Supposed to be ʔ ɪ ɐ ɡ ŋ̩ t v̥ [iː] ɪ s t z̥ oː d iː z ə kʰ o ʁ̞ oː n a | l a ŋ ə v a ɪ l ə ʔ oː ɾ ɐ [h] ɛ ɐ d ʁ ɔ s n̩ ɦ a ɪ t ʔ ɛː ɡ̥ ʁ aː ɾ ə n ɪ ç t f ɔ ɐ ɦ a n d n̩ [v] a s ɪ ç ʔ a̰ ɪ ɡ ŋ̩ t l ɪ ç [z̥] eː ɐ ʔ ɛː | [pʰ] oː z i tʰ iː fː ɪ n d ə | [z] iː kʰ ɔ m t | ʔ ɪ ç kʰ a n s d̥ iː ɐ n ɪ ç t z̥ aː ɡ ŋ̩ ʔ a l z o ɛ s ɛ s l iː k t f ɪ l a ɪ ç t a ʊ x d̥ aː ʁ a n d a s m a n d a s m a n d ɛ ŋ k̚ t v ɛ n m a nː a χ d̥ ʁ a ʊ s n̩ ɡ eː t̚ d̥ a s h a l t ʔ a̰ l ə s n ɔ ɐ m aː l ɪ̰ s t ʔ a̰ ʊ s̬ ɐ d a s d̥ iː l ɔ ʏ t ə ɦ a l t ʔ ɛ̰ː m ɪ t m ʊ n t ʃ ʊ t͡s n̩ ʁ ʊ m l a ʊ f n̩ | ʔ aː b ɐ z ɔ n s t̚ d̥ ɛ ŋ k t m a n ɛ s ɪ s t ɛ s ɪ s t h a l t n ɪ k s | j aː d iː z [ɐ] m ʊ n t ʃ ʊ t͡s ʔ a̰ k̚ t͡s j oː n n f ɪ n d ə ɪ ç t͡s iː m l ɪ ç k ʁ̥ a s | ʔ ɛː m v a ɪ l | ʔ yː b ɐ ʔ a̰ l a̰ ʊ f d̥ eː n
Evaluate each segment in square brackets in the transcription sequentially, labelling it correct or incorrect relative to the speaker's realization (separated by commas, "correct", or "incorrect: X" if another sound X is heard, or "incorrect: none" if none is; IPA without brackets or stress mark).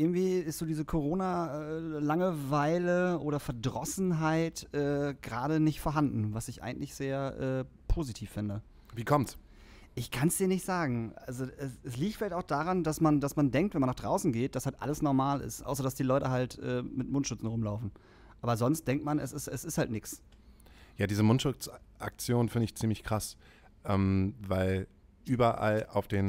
correct, incorrect: f, correct, correct, correct, incorrect: v, incorrect: ə